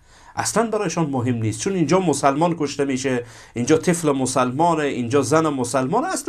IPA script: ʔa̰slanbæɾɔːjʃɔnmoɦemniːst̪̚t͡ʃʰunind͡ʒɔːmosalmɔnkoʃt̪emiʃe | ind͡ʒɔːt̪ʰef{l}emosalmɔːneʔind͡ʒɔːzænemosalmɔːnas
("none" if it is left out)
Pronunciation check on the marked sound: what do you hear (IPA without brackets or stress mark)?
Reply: l